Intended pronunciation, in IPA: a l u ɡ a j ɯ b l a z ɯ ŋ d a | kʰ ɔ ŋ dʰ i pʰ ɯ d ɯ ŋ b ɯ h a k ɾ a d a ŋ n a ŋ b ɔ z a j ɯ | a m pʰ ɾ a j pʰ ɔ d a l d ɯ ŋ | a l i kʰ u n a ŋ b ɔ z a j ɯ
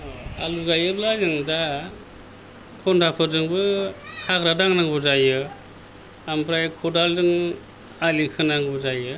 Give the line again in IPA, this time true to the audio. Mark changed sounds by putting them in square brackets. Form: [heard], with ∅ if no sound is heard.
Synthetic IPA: a l u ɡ a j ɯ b l a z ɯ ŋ d a | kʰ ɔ [n] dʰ [a] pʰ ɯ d ɯ ŋ b ɯ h a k ɾ a d a ŋ n a ŋ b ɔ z a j ɯ | a m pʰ ɾ a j [kʰ] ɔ d a l d ɯ ŋ | a l i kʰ [ɯ] n a ŋ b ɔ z a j ɯ